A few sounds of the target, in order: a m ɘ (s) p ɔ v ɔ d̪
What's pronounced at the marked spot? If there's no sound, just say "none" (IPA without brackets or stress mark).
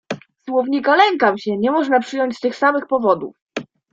x